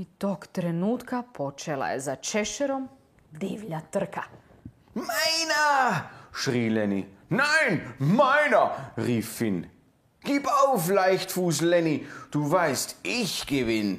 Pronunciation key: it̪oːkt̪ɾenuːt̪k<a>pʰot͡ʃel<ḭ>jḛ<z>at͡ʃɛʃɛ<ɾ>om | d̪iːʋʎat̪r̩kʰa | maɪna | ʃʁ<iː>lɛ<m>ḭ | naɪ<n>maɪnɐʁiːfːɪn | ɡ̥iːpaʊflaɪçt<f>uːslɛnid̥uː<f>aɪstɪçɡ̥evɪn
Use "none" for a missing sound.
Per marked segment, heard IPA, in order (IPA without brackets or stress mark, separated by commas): a, a̰, z, ɾ, iː, n, n, f, v